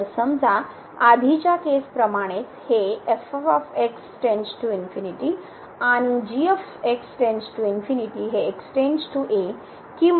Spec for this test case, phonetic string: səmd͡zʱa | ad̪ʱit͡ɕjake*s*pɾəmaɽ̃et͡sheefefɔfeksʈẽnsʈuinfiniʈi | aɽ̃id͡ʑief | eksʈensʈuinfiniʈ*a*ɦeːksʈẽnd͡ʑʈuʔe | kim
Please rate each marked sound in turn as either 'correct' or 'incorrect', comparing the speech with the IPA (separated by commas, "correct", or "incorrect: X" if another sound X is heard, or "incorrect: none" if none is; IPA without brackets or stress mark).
correct, incorrect: i